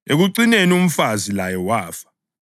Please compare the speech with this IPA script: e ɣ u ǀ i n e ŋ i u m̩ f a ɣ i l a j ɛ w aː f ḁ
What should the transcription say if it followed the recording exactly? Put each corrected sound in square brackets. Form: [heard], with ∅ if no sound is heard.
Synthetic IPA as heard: e ɣ u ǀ i n e [n] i u m̩ f a [z] i l a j ɛ w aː f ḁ